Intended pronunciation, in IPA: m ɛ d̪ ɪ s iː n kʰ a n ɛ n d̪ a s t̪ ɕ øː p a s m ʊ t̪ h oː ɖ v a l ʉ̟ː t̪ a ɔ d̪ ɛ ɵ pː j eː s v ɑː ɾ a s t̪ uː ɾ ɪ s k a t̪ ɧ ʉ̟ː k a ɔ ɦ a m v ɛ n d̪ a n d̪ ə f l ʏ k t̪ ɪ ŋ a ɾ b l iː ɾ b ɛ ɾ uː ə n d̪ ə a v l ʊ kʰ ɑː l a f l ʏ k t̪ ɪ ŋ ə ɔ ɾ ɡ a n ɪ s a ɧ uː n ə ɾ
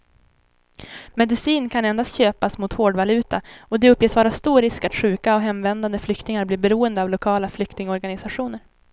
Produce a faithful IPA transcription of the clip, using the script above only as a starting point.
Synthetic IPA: m ɛ d̪ ɪ s iː n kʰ a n ɛ n d̪ a s t̪ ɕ øː p a s m ʊ t̪ h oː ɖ v a l ʉ̟ː t̪ a ɔ d̪ ɛ ɵ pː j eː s v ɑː ɾ a s t̪ uː ɾ ɪ s k a t̪ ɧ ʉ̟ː k a ɔ ɦ ɛ m v ɛ n d̪ a n d̪ ə f l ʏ k t̪ ɪ ŋ a ɾ b l iː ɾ b ɛ ɾ uː ə n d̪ ə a v l ʊ kʰ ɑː l a f l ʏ k t̪ ɪ ŋ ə ɔ ɾ ɡ a n ɪ s a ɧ uː n ə ɾ